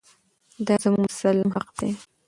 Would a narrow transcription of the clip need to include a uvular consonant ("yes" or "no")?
yes